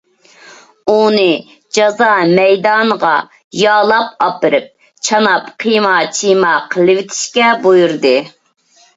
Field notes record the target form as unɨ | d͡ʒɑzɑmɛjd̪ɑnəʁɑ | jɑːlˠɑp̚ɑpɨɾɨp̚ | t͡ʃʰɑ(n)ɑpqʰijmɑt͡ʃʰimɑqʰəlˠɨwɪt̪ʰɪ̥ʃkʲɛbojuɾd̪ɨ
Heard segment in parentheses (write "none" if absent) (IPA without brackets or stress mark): n